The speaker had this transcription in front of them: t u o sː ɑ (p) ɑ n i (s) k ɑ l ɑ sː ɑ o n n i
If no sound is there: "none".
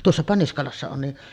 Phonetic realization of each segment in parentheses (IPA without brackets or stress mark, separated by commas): p, s